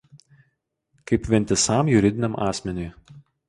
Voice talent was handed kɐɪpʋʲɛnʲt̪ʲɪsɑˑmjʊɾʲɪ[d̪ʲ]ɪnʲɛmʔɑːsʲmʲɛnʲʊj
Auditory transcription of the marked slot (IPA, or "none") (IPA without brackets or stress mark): d̪ʲ